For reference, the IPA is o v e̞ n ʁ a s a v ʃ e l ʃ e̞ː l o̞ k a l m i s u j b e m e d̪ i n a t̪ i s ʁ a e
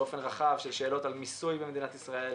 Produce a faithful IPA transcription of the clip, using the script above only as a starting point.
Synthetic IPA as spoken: o f e̞ n ʁ a χ a v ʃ e l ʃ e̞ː l o̞ t a l m i s u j b e m e d̪ i n a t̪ i s ʁ a e